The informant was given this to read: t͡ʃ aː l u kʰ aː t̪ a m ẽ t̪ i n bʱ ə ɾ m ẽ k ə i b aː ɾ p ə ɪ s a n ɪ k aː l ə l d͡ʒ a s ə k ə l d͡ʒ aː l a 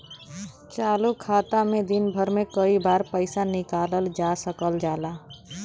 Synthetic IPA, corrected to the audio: t͡ʃ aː l u kʰ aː t̪ a m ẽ d̪ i n bʱ ə ɾ m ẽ k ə i b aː ɾ p ə ɪ s a n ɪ k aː l ə l d͡ʒ a s ə k ə l d͡ʒ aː l a